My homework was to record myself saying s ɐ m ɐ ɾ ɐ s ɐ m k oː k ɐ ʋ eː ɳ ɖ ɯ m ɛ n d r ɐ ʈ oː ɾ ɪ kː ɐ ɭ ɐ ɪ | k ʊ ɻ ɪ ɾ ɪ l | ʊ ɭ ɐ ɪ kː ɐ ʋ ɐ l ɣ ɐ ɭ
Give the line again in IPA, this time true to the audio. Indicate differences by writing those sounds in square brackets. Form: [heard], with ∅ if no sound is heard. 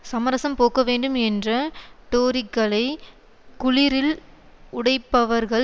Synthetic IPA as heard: s ɐ m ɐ ɾ ɐ s ɐ m [p] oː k ɐ ʋ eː ɳ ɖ ɯ m ɛ n d r ɐ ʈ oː ɾ ɪ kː ɐ ɭ ɐ ɪ | k ʊ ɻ ɪ ɾ ɪ l | ʊ [ɽ] ɐ ɪ [pː] ɐ ʋ ɐ [ɾ] ɣ ɐ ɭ